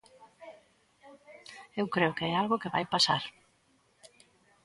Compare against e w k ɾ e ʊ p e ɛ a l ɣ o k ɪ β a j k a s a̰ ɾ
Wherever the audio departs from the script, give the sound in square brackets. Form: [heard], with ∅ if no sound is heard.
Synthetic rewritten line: e w k ɾ e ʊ [k] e ɛ a l ɣ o k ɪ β a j [p] a s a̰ ɾ